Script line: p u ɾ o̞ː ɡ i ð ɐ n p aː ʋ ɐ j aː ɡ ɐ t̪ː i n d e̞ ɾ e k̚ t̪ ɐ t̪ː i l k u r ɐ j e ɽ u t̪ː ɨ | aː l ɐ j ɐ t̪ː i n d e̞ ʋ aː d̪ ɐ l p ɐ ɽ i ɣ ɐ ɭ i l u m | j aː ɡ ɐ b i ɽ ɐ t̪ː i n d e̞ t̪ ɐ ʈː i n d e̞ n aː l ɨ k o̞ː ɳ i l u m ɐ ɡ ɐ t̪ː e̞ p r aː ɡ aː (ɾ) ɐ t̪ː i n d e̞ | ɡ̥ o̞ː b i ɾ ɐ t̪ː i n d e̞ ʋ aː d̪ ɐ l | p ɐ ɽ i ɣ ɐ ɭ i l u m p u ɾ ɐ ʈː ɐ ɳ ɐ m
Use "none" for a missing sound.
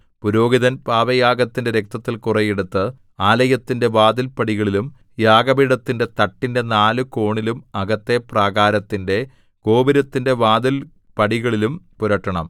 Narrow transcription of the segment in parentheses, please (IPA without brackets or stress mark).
ɾ